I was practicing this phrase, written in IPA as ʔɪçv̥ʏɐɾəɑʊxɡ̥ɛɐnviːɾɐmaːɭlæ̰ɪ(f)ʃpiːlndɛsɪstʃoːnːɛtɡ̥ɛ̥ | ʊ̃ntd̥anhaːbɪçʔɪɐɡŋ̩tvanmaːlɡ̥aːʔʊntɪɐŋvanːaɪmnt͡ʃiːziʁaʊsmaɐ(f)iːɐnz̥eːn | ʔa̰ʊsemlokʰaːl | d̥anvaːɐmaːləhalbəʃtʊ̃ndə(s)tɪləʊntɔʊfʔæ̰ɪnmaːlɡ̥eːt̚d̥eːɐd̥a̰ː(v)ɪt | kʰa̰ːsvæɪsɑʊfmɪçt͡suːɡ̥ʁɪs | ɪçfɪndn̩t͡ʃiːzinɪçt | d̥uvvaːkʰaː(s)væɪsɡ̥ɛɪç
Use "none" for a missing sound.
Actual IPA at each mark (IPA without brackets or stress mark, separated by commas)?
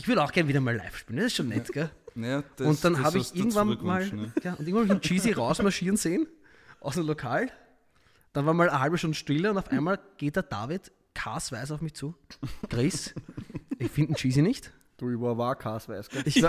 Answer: f, ʃ, ʃ, v, s